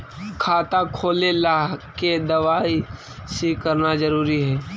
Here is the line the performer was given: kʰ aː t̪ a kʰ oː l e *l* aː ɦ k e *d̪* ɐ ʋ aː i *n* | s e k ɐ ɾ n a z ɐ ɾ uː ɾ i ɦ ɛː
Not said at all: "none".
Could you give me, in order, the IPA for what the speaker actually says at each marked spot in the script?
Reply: l, d̪, none

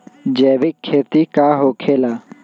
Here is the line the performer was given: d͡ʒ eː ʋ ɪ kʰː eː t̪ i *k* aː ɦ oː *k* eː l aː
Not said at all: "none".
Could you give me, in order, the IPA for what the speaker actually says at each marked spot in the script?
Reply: k, kʰ

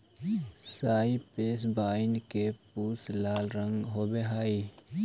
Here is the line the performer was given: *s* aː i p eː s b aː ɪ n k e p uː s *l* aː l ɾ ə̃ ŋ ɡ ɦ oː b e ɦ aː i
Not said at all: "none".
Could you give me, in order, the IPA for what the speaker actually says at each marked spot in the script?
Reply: s, l

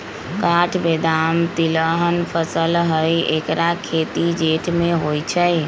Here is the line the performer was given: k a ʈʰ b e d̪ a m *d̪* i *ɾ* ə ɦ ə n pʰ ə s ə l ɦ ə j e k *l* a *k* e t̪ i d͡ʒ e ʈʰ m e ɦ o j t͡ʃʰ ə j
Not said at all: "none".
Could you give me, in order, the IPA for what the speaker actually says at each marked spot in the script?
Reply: t̪, l, ɾ, kʰ

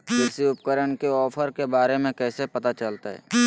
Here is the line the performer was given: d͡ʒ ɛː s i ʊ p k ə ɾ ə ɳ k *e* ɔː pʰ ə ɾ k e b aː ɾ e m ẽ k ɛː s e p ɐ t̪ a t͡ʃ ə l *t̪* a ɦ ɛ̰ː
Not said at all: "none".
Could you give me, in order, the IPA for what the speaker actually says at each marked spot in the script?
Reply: e, t̪

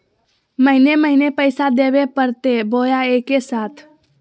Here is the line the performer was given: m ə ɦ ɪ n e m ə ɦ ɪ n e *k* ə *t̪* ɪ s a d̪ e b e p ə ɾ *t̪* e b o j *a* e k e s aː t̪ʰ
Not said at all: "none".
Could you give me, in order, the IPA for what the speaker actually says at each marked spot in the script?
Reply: p, none, t̪, a

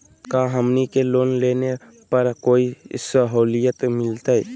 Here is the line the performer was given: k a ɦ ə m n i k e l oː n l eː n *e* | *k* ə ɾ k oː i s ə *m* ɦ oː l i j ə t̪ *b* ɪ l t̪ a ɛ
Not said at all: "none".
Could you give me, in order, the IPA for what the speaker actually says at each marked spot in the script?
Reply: e, p, none, m

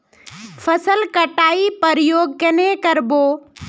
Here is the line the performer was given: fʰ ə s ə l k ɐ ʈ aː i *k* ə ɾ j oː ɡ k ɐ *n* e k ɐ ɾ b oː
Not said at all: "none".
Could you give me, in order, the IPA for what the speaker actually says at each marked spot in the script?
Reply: p, n

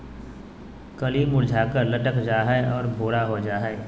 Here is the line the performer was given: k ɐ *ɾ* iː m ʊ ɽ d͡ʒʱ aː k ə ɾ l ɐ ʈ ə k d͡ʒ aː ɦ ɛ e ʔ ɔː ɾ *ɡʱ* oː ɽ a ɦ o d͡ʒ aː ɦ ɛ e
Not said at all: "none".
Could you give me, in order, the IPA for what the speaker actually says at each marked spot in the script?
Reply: l, bʱ

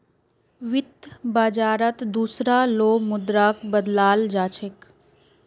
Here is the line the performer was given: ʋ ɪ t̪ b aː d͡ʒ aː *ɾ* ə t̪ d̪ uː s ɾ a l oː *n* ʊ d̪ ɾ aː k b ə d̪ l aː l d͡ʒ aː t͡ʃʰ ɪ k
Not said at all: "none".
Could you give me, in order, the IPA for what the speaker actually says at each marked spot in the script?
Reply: ɾ, m

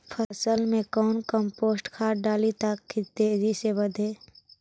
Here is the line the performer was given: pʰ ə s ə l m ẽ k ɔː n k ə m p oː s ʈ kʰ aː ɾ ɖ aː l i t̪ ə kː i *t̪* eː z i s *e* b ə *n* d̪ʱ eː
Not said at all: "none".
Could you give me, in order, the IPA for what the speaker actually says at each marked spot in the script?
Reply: t̪, e, none

